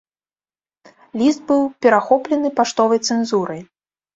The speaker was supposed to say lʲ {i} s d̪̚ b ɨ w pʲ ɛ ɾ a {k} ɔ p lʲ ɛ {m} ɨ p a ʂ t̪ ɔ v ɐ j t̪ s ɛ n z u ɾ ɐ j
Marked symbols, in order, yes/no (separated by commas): yes, no, no